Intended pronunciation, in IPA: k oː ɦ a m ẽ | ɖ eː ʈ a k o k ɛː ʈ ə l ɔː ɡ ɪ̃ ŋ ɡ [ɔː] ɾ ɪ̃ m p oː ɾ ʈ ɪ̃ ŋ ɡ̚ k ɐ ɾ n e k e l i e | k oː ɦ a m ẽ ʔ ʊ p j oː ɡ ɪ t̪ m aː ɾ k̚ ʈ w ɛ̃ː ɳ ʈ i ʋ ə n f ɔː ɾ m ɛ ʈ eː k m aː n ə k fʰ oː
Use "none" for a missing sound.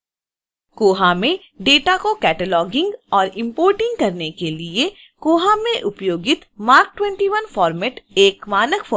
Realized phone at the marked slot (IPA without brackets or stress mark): ɔː